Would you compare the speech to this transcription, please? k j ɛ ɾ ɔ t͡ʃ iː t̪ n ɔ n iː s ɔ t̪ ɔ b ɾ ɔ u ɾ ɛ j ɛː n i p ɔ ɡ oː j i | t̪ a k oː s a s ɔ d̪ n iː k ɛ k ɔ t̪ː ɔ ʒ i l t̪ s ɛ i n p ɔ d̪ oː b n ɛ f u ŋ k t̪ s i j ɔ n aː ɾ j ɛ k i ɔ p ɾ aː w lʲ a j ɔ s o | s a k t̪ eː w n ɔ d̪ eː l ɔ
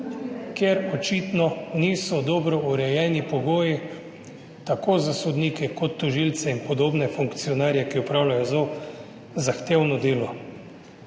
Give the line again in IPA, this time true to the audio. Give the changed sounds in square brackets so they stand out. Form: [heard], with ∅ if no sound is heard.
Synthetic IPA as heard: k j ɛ ɾ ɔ t͡ʃ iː t̪ n ɔ n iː s ɔ [d̪] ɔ b ɾ ɔ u ɾ ɛ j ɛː n i p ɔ ɡ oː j i | t̪ a k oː [z] a s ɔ d̪ n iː k ɛ k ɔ t̪ː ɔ ʒ i l t̪ s ɛ i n p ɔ d̪ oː b n ɛ f u ŋ k t̪ s i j ɔ n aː ɾ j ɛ k i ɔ p ɾ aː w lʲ a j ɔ [z] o | [z] a [x] t̪ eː w n ɔ d̪ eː l ɔ